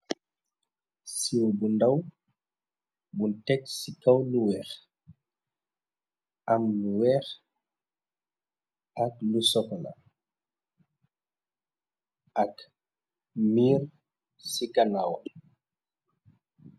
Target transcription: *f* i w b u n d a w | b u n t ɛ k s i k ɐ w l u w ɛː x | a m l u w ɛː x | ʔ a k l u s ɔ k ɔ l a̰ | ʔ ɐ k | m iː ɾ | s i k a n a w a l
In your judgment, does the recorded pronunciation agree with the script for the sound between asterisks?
no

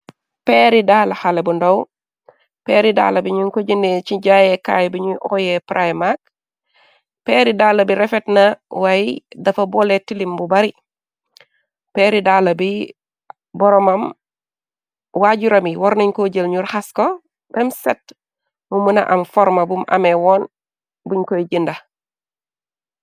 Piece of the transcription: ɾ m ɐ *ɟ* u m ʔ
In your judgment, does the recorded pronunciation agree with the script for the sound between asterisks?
no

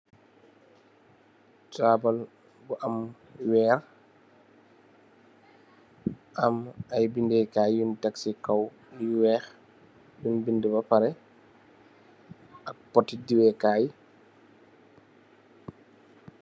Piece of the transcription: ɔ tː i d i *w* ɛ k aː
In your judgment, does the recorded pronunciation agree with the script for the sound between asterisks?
yes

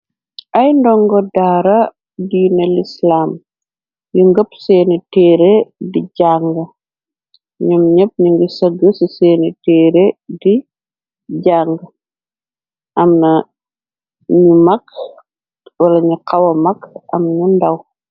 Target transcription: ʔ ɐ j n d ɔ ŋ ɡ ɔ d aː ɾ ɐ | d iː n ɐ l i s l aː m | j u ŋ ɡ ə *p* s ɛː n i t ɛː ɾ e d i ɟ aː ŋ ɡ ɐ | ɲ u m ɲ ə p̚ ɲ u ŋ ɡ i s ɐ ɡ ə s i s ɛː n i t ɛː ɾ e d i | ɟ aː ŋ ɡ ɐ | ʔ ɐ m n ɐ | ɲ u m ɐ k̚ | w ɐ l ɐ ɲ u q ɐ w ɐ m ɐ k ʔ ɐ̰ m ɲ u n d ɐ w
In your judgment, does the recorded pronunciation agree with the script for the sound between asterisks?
yes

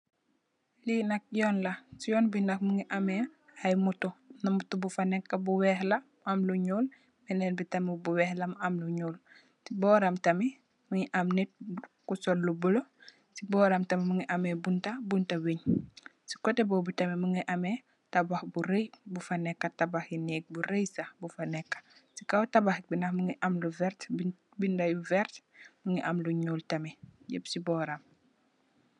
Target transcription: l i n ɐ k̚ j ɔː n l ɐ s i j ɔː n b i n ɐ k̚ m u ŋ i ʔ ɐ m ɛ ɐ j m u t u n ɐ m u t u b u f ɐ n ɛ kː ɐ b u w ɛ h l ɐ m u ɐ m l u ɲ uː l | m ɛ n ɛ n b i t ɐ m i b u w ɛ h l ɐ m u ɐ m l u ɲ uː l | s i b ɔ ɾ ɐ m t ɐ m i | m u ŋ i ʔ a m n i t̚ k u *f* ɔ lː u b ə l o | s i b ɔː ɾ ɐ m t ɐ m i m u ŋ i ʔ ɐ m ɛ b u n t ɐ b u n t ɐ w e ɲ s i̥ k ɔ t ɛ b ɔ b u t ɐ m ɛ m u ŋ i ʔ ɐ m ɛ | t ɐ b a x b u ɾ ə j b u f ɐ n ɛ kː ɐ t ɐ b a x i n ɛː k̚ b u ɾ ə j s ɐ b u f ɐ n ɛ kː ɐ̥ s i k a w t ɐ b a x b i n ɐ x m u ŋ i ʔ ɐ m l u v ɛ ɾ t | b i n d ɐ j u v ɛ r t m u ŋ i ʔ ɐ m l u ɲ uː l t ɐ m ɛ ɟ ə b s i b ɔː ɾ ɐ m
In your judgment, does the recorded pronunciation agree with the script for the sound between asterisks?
no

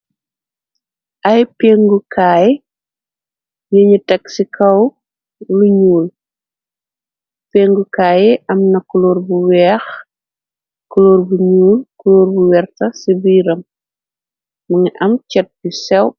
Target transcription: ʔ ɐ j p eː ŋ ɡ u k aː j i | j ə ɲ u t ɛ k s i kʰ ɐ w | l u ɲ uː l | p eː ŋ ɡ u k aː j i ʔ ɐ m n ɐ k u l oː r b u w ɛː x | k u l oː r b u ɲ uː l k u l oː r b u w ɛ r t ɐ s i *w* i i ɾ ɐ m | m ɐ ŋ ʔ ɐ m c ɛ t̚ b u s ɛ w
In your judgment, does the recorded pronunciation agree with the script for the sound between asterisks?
no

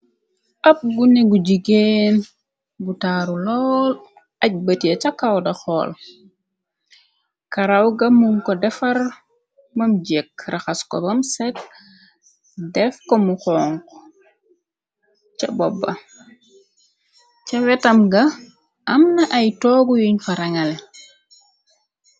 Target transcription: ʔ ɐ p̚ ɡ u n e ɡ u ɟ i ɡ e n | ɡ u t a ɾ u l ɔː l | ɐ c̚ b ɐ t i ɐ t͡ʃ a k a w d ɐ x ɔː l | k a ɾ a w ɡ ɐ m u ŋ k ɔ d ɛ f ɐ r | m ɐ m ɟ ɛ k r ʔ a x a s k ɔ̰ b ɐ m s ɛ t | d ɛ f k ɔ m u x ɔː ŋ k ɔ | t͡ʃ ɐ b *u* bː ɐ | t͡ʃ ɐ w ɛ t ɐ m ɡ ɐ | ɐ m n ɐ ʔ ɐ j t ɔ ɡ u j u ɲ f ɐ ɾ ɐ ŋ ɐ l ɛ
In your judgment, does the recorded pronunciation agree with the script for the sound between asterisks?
no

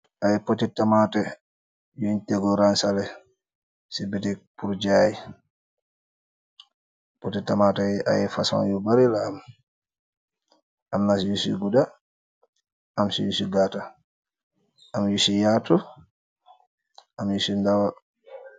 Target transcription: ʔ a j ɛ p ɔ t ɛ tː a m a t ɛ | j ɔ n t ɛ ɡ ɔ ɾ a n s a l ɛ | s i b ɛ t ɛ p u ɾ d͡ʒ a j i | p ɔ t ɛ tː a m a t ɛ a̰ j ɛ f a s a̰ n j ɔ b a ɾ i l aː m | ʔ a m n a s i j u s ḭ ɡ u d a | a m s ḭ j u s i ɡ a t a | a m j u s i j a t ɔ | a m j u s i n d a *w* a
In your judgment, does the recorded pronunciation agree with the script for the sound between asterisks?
yes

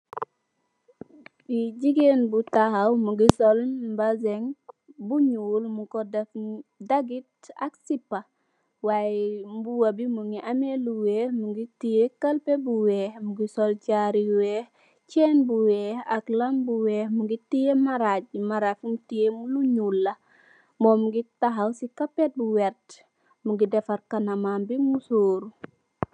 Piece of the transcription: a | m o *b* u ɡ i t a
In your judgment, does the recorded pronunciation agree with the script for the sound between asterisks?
no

